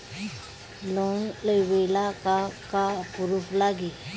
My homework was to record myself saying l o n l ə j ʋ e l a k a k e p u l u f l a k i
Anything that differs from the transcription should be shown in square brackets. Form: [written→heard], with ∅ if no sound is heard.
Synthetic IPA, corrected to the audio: l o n l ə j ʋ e l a k a k [e→a] p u [l→ɾ] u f l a [k→ɡ] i